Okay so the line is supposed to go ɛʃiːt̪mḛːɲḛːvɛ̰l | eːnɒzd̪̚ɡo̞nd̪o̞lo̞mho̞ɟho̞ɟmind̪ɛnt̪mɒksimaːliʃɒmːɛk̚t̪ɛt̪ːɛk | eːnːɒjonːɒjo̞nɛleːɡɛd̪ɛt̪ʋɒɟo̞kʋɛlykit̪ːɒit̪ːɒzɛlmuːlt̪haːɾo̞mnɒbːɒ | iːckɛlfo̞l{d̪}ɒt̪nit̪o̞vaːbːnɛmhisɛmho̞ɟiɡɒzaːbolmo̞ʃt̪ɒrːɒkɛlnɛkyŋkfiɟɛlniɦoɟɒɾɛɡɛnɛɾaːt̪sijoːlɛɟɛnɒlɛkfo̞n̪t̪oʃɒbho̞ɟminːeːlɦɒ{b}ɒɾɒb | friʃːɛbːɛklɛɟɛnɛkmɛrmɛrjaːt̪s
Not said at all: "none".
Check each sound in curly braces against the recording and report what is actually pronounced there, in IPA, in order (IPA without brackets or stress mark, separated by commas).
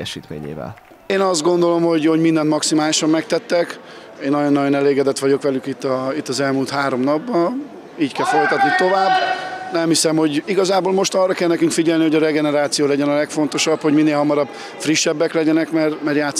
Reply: t̪, m